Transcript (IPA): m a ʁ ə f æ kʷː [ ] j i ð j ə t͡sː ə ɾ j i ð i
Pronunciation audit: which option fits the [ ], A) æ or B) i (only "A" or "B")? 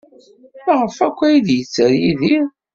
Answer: A